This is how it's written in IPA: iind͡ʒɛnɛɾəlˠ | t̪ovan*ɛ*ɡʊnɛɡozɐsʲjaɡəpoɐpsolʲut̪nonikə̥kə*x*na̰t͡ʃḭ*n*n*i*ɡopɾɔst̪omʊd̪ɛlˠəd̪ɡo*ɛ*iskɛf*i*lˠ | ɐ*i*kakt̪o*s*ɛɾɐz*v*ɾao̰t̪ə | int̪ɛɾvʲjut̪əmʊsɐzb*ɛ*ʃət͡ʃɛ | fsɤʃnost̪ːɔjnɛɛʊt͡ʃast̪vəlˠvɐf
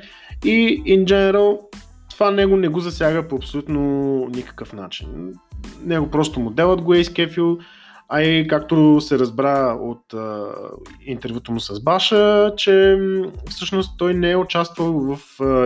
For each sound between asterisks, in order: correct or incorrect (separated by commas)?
correct, incorrect, correct, incorrect, correct, correct, correct, correct, incorrect, incorrect